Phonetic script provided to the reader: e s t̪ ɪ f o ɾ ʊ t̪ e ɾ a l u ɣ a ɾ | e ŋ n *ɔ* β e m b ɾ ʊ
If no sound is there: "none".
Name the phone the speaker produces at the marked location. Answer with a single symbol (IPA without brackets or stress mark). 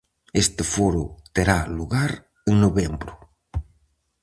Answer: o